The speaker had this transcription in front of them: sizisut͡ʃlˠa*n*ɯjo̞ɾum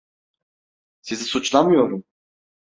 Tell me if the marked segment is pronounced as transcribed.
no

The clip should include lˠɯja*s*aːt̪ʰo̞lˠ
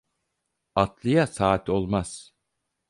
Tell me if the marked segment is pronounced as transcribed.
yes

